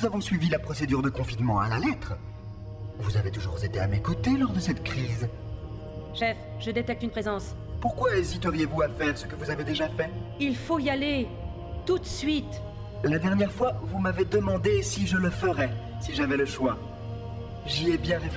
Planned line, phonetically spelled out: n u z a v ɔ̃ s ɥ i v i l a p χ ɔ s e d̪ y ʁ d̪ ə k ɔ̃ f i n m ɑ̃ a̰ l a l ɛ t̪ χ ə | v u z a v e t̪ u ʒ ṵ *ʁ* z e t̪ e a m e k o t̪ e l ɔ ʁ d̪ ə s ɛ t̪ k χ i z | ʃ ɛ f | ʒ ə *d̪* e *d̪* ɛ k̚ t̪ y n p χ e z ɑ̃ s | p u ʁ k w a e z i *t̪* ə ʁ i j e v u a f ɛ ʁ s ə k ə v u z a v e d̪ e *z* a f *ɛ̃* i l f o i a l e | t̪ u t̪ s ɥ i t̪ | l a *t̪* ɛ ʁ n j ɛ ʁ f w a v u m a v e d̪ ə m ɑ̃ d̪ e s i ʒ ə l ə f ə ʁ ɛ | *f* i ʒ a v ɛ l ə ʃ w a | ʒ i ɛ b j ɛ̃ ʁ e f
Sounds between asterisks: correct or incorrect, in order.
correct, correct, incorrect: t̪, correct, incorrect: ʒ, incorrect: ɛ, incorrect: d̪, incorrect: s

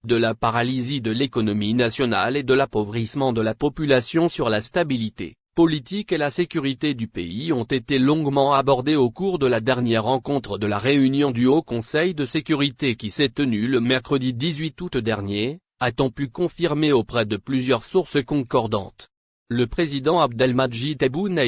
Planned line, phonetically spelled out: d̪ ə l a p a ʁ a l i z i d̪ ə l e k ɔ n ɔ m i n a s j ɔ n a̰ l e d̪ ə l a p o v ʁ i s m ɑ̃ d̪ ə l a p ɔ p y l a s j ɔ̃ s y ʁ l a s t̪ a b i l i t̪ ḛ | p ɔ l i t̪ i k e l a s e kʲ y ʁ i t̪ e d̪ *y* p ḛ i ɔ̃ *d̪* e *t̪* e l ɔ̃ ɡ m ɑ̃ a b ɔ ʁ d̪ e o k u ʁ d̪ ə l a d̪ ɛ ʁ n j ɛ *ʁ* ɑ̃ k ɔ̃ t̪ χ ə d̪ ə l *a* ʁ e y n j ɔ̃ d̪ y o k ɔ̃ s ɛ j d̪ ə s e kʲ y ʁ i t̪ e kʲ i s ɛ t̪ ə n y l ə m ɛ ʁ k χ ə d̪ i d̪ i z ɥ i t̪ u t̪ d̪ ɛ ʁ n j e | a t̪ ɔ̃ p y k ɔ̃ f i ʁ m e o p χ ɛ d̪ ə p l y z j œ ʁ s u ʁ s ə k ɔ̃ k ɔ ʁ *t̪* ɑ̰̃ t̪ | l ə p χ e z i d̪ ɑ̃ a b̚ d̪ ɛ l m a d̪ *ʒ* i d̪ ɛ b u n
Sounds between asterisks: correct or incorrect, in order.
correct, incorrect: t̪, correct, incorrect: ʁː, correct, incorrect: d̪, correct

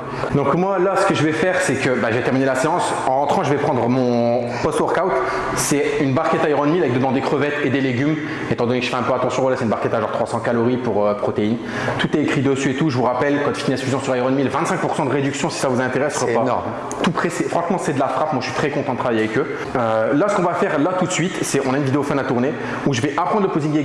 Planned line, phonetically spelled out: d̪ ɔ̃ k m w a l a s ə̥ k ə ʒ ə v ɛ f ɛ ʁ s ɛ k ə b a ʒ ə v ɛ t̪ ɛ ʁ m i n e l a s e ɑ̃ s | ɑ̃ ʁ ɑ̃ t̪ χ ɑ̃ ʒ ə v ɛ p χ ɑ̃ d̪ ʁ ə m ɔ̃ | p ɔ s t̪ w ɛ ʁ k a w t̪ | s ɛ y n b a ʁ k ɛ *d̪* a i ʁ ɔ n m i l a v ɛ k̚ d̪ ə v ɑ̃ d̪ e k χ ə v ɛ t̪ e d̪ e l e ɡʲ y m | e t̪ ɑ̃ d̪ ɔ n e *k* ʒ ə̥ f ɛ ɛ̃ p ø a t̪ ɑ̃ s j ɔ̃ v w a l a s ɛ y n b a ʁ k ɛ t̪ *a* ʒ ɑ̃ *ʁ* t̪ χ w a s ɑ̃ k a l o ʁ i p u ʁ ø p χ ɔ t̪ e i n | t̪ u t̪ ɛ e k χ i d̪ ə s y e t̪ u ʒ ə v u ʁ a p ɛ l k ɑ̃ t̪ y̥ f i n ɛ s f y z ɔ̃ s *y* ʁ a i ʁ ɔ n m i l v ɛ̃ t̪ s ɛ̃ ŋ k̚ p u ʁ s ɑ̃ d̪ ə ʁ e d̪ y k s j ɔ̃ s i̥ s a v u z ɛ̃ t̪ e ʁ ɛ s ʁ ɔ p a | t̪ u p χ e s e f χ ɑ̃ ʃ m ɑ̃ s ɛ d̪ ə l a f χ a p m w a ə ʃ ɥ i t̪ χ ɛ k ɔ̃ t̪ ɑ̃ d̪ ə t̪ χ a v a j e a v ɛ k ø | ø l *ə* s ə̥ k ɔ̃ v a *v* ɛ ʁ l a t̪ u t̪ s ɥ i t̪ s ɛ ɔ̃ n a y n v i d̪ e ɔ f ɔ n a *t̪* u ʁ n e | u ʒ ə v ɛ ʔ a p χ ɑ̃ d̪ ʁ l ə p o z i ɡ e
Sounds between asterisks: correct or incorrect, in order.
incorrect: t̪, correct, correct, correct, correct, incorrect: a, incorrect: f, correct

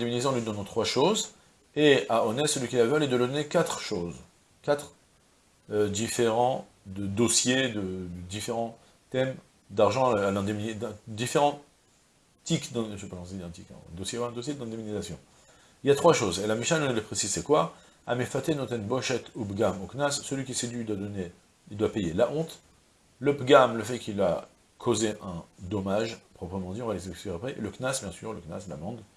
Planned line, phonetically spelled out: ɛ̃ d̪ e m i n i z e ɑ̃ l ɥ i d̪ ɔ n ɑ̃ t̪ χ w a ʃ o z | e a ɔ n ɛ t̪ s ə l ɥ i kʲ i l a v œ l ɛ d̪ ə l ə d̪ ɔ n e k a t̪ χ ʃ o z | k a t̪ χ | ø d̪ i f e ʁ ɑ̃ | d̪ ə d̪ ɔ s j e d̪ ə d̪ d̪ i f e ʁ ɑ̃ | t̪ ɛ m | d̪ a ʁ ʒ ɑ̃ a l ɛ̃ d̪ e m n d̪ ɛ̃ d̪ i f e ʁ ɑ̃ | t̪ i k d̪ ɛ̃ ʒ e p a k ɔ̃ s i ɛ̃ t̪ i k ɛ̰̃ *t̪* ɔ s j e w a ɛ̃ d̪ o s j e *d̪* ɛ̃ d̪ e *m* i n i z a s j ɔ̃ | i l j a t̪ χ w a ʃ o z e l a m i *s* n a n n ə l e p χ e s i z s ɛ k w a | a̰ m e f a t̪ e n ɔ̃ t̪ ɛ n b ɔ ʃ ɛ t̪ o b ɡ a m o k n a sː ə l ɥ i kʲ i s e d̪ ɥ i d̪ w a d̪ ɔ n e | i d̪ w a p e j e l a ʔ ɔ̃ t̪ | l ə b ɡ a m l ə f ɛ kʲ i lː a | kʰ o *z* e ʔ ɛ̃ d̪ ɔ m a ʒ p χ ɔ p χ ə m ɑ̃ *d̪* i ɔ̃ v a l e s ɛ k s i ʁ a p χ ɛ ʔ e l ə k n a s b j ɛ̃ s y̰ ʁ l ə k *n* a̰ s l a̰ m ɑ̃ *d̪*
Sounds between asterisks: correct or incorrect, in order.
incorrect: d̪, correct, correct, incorrect: ʃ, correct, correct, correct, correct

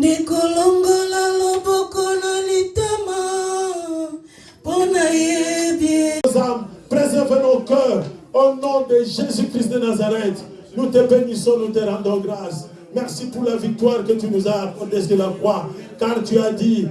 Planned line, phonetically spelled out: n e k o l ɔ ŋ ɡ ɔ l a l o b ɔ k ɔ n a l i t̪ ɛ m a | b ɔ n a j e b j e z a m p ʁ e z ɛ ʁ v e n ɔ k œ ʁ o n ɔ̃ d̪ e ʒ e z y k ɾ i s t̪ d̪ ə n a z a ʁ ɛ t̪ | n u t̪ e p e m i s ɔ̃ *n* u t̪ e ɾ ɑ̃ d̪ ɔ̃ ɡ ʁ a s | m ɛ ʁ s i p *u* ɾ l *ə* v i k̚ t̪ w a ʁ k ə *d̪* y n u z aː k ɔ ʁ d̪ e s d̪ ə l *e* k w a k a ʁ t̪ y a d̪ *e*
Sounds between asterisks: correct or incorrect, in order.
correct, correct, incorrect: a, incorrect: t̪, incorrect: a, incorrect: i

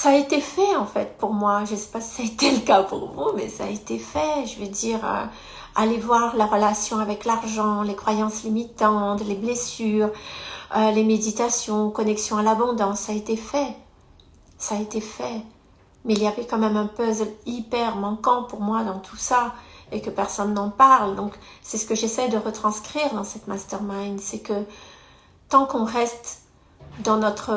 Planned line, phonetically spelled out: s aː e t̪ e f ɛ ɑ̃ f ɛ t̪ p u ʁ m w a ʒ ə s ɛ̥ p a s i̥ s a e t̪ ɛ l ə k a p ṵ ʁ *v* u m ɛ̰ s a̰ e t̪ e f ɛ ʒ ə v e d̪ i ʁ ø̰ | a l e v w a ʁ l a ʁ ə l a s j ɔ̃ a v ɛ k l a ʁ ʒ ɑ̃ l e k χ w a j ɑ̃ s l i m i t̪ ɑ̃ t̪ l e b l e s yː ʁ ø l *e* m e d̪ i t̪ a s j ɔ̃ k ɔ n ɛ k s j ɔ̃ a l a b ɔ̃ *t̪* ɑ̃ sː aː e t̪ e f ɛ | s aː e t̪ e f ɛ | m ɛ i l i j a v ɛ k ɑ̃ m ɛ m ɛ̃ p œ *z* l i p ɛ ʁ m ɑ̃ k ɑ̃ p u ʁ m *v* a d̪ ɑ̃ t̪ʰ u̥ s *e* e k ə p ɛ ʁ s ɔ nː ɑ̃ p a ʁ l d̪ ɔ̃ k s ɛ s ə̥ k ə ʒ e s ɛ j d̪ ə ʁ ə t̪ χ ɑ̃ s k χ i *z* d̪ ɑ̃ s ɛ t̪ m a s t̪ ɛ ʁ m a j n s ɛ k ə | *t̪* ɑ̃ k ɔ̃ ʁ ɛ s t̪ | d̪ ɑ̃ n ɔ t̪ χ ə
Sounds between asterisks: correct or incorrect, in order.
correct, correct, incorrect: d̪, correct, incorrect: w, incorrect: a, incorrect: ʁ, correct

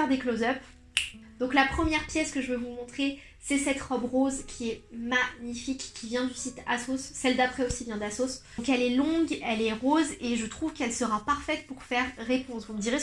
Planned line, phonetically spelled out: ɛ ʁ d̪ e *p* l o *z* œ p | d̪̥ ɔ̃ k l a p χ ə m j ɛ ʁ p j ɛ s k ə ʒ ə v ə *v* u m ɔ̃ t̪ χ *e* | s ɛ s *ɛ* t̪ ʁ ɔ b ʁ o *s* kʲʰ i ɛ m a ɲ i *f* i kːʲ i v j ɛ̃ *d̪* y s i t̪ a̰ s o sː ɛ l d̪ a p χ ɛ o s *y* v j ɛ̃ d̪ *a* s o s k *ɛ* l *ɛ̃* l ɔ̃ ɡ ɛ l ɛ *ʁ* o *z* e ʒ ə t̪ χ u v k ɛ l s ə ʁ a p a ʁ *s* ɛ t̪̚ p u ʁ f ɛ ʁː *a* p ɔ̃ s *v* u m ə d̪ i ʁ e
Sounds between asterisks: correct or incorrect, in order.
incorrect: k, correct, correct, correct, correct, incorrect: z, correct, correct, incorrect: i, correct, correct, incorrect: ɛ, correct, correct, incorrect: f, incorrect: e, correct

